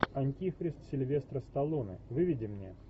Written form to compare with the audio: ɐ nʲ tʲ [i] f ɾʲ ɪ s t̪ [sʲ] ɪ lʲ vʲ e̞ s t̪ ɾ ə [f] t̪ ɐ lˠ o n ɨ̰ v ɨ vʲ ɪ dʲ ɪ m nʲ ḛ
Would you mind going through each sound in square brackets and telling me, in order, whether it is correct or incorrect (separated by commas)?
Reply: correct, correct, incorrect